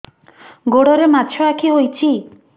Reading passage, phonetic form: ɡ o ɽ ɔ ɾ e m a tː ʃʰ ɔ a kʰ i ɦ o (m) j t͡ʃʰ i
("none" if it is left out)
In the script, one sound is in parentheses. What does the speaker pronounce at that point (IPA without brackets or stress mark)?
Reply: none